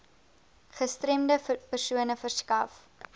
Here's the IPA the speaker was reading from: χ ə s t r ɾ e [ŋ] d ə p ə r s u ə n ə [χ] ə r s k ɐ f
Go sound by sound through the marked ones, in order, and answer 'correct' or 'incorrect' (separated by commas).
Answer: incorrect, incorrect